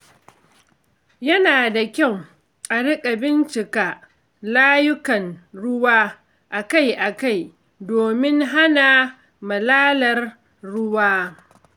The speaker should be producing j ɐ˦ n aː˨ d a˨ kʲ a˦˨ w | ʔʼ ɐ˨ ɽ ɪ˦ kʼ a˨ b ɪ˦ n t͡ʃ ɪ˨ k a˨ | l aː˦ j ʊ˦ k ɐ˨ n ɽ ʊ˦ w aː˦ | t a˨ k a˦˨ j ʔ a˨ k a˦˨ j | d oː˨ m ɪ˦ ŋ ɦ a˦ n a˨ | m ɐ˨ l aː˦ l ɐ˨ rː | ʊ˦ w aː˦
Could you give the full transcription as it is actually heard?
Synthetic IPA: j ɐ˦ n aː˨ d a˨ kʲ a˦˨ w | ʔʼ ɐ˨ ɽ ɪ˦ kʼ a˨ b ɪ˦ n t͡ʃ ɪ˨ k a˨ | l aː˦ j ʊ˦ k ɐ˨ n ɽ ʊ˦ w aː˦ | ʔ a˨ k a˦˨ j ʔ a˨ k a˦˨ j | d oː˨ m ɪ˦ ŋ ɦ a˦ n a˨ | m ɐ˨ l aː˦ l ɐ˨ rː | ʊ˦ w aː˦